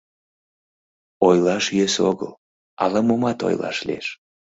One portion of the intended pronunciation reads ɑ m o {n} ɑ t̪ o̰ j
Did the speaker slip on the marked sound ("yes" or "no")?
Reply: yes